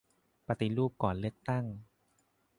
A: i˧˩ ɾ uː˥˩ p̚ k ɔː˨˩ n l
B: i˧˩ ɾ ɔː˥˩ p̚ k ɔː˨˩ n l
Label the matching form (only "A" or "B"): A